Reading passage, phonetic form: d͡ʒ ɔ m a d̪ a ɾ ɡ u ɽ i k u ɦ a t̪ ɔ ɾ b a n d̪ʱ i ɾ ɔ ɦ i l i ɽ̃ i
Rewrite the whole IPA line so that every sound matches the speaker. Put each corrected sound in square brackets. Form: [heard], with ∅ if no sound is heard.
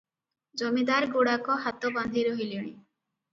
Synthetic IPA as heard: d͡ʒ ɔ m [i] d̪ a ɾ ɡ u ɽ [a] k [ɔ] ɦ a t̪ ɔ [∅] b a n d̪ʱ i ɾ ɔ ɦ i l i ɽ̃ i